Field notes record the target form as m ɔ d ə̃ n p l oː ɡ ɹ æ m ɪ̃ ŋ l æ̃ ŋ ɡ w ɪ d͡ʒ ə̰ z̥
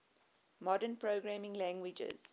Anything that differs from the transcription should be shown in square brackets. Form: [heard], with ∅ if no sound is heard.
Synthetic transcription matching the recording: m ɔ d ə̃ n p [ɹ] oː ɡ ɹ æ m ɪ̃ ŋ l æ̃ ŋ ɡ w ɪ d͡ʒ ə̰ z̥